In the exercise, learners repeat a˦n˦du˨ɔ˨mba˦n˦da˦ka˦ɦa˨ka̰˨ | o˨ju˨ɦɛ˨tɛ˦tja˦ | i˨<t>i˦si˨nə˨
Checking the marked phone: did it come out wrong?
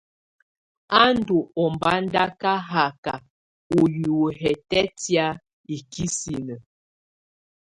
yes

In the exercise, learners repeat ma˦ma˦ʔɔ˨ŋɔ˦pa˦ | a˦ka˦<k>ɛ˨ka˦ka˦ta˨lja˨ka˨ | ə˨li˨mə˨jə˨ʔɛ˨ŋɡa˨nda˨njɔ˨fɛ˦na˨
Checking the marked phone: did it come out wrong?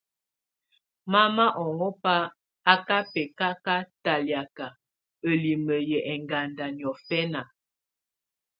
yes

